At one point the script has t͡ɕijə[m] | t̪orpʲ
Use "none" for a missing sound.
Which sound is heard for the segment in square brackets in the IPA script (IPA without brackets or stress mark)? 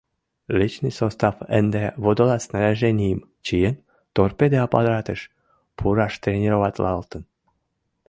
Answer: n